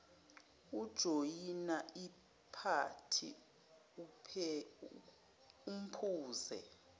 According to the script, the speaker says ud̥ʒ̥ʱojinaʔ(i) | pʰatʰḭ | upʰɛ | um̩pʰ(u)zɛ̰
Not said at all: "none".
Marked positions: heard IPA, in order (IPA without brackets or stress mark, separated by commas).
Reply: i, uː